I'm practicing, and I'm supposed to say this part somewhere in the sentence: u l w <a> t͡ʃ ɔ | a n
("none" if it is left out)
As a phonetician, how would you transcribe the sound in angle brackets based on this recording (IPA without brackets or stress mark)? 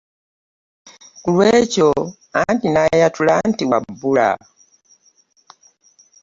ɛ